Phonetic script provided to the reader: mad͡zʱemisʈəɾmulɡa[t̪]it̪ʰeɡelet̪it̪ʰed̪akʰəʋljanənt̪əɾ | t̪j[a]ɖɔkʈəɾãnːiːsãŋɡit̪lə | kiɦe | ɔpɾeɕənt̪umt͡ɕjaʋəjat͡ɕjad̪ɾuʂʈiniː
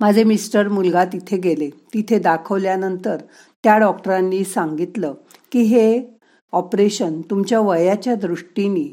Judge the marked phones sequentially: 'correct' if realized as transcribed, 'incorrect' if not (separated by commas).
correct, correct